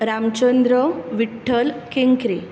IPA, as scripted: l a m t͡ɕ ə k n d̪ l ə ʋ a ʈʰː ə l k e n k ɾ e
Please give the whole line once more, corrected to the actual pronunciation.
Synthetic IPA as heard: ɾ a m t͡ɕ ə n d̪ ɾ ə ʋ i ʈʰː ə l k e ŋ k ɾ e